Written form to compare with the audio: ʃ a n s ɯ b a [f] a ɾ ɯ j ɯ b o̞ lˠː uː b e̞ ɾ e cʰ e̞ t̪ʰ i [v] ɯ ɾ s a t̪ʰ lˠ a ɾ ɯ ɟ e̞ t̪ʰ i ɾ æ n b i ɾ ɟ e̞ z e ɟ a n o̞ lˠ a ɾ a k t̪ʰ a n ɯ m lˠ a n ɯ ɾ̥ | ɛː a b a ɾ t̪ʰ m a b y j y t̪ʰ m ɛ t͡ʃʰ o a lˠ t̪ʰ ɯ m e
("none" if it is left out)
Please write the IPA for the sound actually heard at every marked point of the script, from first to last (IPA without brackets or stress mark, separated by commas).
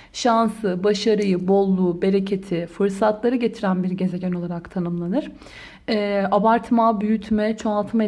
ʃ, f